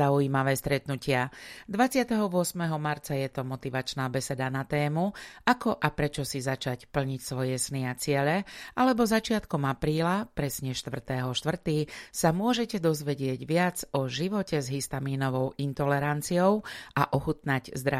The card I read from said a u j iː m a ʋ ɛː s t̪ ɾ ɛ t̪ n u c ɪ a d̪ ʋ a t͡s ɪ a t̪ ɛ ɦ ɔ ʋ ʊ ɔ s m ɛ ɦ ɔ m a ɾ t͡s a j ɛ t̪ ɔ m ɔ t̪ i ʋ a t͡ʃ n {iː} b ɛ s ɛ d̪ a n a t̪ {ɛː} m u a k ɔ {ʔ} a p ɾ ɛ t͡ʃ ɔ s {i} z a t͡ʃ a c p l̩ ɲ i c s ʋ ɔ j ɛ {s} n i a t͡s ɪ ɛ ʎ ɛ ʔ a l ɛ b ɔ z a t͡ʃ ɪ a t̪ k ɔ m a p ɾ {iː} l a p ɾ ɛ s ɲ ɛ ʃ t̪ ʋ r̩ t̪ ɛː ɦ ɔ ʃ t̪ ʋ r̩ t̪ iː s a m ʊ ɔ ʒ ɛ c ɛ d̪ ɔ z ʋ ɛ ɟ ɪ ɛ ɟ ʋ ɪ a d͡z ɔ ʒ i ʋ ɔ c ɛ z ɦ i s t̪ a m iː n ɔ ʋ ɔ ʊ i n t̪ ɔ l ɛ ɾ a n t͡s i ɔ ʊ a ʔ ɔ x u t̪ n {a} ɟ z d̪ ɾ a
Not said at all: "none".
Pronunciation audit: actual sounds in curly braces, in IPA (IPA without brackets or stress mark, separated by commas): aː, ɛː, ʔ, i, s, iː, a